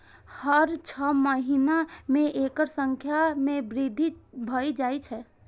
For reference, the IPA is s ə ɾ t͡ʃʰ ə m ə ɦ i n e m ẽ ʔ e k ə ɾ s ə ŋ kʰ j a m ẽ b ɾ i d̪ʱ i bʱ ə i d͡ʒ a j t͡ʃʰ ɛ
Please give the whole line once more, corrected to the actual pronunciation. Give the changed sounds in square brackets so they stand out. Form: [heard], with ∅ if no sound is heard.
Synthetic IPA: [h] ə ɾ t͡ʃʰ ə m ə ɦ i n [a] m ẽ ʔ e k ə ɾ s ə ŋ kʰ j a m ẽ b ɾ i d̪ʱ i bʱ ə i d͡ʒ a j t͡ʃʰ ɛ